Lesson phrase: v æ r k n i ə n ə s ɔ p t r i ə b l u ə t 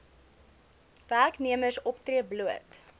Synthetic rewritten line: v æ r k n i ə m ə s ɔ p t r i ə b l u ə t